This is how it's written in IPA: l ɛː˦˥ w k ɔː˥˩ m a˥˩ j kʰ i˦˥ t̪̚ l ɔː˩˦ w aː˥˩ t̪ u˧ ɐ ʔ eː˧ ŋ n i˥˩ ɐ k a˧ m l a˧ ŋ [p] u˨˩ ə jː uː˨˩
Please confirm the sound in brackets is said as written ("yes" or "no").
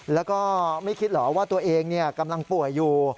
yes